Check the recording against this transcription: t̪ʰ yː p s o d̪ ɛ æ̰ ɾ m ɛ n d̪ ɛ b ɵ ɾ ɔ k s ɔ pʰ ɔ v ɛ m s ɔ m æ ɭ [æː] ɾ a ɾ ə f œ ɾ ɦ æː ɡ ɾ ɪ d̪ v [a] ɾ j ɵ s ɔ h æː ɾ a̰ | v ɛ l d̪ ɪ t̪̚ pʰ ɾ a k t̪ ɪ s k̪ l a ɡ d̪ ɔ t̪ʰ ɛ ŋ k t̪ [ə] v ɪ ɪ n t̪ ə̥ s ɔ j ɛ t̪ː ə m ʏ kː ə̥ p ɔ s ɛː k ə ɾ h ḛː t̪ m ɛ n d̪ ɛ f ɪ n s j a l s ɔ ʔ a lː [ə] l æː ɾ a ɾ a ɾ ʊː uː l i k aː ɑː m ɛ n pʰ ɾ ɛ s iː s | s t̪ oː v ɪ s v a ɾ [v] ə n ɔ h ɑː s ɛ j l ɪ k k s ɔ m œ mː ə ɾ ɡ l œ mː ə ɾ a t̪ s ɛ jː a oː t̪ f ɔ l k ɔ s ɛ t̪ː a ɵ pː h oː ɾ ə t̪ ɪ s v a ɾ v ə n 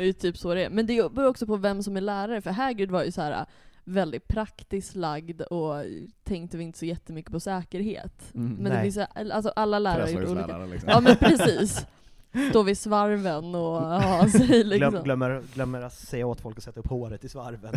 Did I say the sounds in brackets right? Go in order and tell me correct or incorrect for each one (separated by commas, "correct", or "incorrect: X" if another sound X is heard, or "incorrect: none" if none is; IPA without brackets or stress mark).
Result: correct, correct, correct, incorrect: a, correct